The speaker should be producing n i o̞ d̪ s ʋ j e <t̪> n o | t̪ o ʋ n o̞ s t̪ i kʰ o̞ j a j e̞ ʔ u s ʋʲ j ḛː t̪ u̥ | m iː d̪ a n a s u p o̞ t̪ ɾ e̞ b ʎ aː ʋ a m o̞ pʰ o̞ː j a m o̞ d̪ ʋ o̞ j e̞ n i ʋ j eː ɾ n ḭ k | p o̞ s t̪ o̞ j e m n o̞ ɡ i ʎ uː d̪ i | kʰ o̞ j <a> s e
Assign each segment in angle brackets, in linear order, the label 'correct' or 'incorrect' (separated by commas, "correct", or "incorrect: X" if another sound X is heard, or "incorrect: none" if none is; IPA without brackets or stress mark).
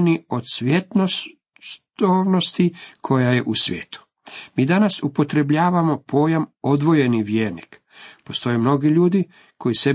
correct, incorrect: i